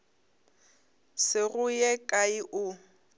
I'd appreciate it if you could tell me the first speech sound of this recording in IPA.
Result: s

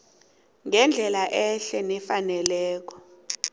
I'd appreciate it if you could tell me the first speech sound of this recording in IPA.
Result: ŋ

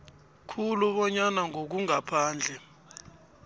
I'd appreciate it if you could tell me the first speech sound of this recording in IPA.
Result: kʰ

